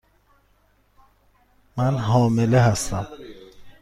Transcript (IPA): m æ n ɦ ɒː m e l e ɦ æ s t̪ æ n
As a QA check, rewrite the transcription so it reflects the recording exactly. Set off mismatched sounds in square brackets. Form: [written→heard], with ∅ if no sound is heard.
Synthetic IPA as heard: m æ n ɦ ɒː m e l e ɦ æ s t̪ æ [n→m]

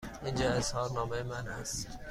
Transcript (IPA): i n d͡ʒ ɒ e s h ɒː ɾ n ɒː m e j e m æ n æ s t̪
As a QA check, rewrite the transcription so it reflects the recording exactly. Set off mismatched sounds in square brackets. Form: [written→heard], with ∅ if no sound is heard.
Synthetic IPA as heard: i n d͡ʒ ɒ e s h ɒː ɾ n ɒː m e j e m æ n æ s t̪

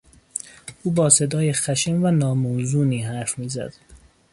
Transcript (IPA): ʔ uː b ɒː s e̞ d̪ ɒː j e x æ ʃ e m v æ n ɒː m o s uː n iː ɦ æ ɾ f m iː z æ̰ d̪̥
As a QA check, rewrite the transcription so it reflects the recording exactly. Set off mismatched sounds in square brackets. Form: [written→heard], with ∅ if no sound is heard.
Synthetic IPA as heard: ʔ uː b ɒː s e̞ d̪ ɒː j e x æ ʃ e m v æ n ɒː m o [s→z] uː n iː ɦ æ ɾ f m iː z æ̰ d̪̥

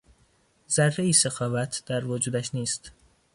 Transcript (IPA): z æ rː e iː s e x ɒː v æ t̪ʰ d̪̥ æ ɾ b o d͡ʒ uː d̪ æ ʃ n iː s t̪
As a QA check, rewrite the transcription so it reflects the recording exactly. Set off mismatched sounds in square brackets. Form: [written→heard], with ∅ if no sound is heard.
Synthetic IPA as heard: z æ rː e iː s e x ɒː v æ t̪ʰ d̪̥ æ ɾ [b→v] o d͡ʒ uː d̪ æ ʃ n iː s t̪

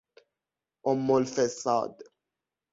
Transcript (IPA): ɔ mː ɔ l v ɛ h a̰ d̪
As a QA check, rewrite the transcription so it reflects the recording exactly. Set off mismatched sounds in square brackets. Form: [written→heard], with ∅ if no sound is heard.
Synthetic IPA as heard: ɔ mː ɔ l [v→f] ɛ [h→s] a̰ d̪

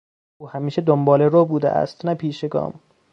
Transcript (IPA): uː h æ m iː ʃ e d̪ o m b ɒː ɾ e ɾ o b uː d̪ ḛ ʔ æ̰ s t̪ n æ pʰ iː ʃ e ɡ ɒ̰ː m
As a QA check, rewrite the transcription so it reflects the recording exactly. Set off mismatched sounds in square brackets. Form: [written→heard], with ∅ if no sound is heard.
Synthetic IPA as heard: uː h æ m iː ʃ e d̪ o m b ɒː [ɾ→l] e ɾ o b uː d̪ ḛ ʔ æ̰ s t̪ n æ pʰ iː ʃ e ɡ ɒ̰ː m

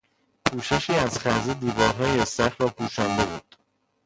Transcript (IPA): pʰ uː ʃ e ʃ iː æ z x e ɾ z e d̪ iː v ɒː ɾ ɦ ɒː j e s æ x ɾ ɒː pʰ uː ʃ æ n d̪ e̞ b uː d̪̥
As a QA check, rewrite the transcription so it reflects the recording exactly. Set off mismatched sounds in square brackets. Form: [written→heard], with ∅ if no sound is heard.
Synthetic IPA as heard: pʰ uː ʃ e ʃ iː æ z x [e→æ] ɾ z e d̪ iː v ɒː ɾ ɦ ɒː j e s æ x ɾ ɒː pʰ uː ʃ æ n d̪ e̞ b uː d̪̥

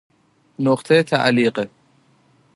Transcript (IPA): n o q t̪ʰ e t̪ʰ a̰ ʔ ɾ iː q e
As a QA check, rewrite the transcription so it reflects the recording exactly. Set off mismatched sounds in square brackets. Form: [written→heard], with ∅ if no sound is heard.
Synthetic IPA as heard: n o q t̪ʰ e t̪ʰ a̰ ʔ [ɾ→l] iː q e

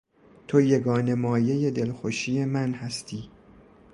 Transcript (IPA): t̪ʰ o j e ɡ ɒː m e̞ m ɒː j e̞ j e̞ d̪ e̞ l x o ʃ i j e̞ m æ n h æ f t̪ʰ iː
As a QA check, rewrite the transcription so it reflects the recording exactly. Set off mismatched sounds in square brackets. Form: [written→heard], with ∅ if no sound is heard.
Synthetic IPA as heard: t̪ʰ o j e ɡ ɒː [m→n] e̞ m ɒː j e̞ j e̞ d̪ e̞ l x o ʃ i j e̞ m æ n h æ [f→s] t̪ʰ iː

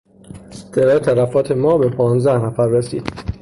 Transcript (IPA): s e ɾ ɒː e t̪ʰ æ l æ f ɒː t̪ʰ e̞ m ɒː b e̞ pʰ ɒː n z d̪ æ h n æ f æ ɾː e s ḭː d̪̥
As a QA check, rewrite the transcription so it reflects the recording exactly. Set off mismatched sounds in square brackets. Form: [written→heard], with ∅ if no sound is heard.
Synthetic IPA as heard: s e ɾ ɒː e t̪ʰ æ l æ f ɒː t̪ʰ e̞ m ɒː b e̞ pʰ ɒː n z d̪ æ h n æ f æ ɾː e s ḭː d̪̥

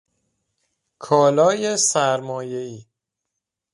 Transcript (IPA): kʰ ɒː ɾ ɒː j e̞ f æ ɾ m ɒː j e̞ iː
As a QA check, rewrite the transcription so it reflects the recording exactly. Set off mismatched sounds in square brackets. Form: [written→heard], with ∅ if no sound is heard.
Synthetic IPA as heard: kʰ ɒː [ɾ→l] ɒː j e̞ [f→s] æ ɾ m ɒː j e̞ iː

